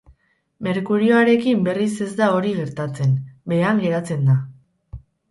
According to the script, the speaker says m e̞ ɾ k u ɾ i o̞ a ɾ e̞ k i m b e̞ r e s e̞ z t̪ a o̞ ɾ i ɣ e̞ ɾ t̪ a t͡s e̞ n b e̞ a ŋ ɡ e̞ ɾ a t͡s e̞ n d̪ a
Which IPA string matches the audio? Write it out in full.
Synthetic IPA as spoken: m e̞ ɾ k u ɾ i o̞ a ɾ e̞ k i m b e̞ r i s e̞ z d̪ a o̞ ɾ i ɣ e̞ ɾ t̪ a t͡s e̞ n b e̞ a ŋ ɡ e̞ ɾ a t͡s e̞ n d̪ a